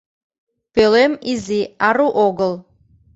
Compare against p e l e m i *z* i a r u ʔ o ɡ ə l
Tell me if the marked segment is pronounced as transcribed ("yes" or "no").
yes